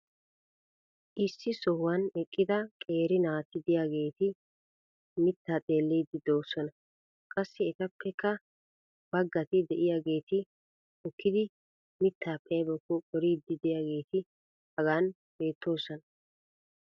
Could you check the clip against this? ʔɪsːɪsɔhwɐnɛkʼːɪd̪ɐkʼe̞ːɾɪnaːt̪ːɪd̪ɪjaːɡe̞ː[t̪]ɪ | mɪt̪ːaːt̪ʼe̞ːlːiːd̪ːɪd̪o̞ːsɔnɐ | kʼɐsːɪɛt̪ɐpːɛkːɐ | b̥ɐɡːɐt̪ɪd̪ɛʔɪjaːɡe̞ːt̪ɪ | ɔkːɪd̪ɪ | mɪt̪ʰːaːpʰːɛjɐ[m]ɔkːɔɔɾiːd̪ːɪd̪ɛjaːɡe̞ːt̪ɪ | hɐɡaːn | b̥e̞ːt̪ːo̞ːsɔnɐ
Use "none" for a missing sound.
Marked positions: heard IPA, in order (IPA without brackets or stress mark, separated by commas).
t̪, b